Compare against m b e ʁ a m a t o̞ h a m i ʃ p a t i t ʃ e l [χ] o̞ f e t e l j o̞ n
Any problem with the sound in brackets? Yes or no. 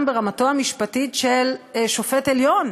yes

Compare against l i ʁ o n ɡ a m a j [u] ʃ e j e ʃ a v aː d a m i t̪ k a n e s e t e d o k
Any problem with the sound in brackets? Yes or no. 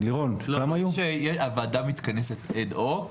no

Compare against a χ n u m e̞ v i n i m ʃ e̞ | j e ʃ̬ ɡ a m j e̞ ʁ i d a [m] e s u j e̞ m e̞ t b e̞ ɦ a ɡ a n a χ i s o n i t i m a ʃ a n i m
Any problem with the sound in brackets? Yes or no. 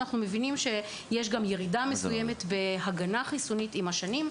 no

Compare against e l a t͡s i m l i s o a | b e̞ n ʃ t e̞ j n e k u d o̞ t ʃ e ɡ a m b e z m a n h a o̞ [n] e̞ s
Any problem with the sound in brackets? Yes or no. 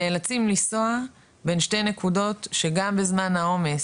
yes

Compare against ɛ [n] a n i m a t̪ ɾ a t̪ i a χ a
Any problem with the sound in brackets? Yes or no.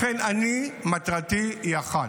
no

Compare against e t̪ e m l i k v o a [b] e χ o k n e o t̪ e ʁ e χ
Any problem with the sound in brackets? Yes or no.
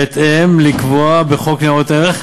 no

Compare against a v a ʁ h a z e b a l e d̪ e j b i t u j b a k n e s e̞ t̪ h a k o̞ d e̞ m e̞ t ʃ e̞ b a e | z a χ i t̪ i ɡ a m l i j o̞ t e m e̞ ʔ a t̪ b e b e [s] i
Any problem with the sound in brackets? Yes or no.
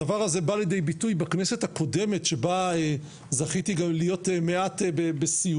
no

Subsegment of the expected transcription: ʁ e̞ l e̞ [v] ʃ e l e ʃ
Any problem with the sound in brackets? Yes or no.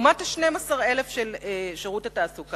yes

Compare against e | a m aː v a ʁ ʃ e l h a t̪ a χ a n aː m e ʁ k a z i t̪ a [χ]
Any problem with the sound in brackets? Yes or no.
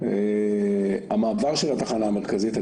yes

